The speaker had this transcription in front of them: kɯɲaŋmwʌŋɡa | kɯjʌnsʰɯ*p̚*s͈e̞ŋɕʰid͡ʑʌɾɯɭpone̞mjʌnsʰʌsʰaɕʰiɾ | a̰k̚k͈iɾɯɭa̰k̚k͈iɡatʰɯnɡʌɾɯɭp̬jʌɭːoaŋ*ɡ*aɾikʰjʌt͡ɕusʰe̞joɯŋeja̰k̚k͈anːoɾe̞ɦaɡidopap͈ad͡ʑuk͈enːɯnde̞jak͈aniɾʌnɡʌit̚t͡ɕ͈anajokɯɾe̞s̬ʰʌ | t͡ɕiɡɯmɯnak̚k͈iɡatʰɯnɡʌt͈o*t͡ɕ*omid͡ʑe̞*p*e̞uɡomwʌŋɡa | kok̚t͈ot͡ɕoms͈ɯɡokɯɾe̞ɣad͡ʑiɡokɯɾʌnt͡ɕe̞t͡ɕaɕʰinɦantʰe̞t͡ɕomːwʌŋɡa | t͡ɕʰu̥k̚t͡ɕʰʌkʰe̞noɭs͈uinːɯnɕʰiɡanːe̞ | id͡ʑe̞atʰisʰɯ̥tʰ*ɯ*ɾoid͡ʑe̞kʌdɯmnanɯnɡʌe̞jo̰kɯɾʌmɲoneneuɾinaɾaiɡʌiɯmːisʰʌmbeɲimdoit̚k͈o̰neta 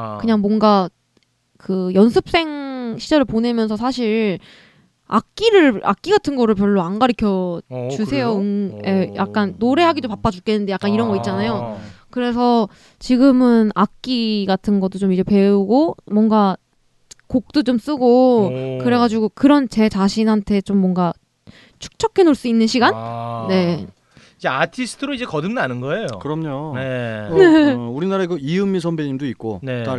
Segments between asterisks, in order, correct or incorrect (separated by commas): correct, correct, correct, correct, correct